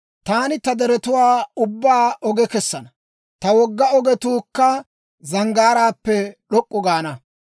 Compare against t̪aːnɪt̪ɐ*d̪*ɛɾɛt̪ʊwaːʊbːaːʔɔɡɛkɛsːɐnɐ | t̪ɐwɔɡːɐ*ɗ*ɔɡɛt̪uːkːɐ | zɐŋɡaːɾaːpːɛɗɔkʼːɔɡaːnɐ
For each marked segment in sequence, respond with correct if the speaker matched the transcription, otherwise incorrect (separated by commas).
correct, incorrect